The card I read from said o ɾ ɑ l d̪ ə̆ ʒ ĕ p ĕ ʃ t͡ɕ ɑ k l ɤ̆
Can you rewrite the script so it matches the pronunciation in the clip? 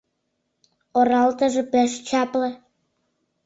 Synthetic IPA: o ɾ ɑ l t̪ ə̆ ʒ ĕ p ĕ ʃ t͡ɕ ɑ p l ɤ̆